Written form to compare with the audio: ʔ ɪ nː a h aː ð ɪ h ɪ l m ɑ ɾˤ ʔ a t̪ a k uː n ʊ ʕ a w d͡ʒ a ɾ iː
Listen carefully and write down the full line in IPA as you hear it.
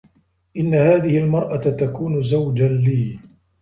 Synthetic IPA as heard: ʔ ɪ nː a h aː ð ɪ h ɪ l m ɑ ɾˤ ʔ a t̪ a k uː n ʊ z a w d͡ʒ a l iː